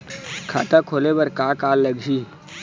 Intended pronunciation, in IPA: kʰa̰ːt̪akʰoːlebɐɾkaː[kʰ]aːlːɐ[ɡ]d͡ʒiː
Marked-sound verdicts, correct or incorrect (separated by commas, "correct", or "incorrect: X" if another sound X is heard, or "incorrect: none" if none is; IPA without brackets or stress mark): incorrect: k, correct